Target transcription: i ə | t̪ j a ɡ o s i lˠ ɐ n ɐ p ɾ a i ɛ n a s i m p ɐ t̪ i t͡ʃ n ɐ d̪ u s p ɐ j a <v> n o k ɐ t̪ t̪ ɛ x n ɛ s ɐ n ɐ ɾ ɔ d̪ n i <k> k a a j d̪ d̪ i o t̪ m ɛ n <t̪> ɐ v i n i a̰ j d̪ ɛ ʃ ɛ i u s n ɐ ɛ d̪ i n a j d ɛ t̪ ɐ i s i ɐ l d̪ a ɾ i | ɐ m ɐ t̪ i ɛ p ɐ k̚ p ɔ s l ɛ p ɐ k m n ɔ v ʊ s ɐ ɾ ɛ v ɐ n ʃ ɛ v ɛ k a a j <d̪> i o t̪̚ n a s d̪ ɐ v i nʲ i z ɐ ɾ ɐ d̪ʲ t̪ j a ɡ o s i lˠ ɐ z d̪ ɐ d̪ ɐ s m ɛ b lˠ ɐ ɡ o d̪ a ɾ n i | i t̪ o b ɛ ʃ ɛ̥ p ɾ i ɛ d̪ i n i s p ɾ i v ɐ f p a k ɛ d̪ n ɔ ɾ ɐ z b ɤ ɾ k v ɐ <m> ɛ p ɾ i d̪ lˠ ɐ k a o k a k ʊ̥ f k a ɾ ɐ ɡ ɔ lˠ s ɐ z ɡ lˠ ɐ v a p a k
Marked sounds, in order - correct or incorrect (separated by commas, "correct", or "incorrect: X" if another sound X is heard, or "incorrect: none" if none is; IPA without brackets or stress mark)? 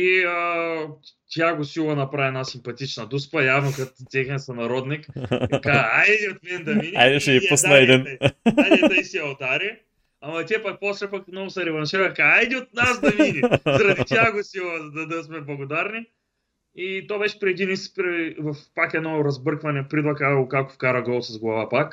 correct, correct, incorrect: d̪, correct, incorrect: n